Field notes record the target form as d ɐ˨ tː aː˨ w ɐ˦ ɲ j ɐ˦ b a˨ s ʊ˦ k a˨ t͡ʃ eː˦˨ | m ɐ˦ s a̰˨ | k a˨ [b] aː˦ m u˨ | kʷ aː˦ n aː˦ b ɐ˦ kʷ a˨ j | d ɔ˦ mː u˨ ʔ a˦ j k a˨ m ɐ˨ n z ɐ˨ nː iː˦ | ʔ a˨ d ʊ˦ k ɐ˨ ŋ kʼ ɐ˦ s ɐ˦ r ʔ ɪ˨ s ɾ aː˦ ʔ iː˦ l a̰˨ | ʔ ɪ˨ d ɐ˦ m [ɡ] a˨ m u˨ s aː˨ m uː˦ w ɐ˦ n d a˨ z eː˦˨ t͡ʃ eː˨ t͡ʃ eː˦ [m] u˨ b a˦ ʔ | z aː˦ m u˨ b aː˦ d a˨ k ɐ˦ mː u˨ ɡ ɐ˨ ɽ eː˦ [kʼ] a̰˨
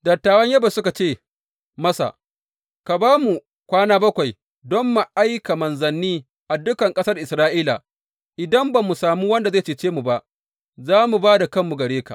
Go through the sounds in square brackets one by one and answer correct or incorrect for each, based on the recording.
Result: correct, incorrect: b, correct, incorrect: k

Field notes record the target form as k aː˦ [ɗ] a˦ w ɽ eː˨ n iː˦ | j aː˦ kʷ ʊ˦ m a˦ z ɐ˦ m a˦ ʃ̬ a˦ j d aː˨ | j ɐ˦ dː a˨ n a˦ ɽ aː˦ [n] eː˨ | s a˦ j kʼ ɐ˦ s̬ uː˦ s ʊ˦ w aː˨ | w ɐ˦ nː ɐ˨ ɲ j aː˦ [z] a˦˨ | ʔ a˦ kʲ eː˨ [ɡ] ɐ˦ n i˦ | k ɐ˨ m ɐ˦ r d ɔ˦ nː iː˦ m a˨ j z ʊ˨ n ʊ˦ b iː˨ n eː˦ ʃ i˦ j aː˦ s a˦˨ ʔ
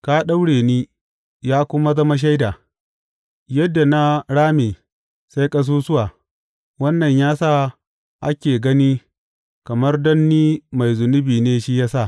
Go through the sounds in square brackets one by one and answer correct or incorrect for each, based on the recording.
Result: correct, incorrect: m, incorrect: s, correct

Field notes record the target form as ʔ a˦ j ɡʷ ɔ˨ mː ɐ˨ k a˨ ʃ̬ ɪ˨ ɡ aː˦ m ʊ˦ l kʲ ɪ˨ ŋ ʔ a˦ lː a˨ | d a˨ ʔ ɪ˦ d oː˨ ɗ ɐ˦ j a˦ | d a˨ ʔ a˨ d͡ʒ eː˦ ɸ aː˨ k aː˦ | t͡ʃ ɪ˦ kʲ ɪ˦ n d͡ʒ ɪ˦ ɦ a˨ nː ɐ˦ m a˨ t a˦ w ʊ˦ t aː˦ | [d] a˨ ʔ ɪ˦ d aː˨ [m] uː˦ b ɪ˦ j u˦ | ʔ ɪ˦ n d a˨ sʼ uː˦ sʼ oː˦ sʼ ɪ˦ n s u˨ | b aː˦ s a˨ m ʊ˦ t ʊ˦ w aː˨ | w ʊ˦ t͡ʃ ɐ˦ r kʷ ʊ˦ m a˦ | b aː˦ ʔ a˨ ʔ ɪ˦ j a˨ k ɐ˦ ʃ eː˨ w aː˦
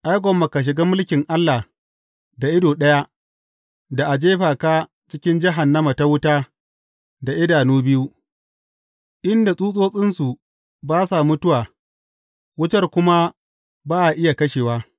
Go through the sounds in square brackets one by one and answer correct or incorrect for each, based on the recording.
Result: correct, incorrect: n

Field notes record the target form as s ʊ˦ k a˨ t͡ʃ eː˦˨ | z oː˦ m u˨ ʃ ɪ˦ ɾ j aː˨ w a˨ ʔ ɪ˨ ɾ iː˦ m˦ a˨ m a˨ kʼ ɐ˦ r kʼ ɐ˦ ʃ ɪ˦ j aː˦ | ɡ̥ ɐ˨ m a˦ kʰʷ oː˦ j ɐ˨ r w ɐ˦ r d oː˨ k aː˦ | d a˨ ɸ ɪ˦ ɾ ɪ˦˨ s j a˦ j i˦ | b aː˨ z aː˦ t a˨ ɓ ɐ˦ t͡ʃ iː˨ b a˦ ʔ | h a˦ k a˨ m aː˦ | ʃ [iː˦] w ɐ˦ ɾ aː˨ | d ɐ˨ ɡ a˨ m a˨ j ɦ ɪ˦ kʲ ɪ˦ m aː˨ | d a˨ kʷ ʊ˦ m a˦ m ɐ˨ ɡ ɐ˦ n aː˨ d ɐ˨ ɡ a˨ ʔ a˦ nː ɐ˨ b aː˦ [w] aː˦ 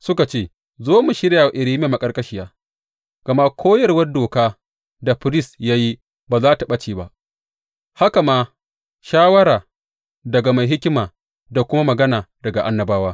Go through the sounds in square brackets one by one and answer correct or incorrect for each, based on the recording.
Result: incorrect: aː˦, correct

